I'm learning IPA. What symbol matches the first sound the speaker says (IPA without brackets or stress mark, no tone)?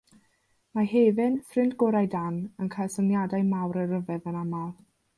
m